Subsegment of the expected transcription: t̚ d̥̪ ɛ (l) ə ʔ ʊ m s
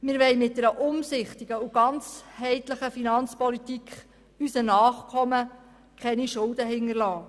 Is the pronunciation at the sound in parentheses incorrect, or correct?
incorrect